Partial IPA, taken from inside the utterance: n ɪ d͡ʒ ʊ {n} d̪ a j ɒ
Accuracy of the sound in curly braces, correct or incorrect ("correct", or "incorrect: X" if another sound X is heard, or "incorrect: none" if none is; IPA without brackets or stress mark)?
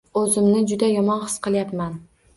incorrect: none